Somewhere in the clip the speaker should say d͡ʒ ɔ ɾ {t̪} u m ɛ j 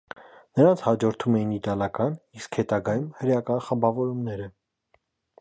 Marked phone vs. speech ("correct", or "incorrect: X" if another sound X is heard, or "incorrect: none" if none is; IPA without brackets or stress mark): incorrect: t̪ʰ